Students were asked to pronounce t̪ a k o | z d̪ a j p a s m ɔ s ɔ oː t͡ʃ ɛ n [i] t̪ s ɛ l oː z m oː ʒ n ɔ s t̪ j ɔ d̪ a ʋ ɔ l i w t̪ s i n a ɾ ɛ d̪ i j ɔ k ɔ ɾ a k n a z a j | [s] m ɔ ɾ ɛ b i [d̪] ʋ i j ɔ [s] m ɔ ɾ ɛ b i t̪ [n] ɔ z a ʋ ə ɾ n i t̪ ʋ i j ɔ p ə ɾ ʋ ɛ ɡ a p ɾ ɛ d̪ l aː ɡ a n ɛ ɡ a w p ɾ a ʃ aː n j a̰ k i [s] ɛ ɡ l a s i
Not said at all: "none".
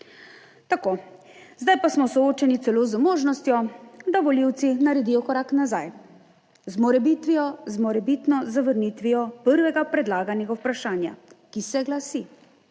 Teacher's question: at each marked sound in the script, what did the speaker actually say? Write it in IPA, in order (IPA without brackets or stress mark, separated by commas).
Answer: i, z, t̪, z, n, s